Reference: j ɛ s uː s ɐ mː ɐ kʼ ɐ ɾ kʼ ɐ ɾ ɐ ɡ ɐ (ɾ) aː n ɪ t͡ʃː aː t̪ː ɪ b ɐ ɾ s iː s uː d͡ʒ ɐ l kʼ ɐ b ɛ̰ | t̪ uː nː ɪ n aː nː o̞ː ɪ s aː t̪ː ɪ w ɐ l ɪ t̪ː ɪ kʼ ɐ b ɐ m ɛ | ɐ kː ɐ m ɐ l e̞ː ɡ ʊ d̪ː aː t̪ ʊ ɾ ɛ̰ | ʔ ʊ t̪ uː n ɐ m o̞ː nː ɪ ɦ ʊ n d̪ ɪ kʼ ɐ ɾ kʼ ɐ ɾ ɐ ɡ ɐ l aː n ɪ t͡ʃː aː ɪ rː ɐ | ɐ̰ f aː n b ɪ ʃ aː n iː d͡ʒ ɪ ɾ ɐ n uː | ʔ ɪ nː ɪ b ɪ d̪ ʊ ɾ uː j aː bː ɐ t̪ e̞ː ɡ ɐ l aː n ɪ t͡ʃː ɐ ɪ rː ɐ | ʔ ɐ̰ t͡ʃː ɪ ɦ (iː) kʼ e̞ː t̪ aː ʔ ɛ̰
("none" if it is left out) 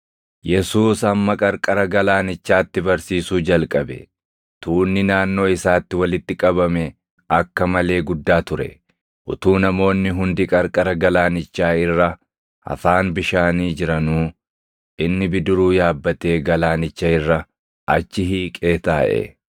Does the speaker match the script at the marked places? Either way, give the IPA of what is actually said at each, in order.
l, iː

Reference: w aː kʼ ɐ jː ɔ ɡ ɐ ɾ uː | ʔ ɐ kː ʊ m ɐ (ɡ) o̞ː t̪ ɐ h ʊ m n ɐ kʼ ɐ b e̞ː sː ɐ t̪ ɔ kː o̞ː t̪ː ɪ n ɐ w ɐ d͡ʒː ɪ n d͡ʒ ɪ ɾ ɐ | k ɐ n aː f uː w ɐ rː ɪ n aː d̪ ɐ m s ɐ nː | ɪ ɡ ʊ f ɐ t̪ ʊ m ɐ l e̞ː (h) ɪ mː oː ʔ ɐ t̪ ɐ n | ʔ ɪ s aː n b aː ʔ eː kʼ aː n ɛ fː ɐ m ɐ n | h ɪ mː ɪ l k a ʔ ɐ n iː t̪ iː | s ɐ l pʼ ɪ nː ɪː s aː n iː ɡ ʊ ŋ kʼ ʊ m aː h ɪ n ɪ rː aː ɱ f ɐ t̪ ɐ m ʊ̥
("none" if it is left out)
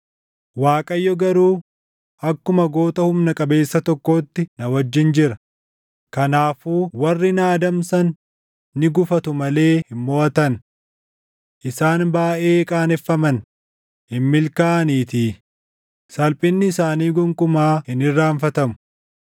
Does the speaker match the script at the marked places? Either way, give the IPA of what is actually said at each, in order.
ɡ, h

